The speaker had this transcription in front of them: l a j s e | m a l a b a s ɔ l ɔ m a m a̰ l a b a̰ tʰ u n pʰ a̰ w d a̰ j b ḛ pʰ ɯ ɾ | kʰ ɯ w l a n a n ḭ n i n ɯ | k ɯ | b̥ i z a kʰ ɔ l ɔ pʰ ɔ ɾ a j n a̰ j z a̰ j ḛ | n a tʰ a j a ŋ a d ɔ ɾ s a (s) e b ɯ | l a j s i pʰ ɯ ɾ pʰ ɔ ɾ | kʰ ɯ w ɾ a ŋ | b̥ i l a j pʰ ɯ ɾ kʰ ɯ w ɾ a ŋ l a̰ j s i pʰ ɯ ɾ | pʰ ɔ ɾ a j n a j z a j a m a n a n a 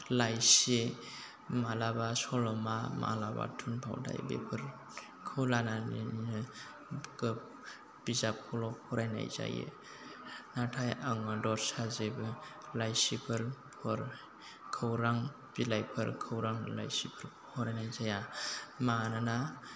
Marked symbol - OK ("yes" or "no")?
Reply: no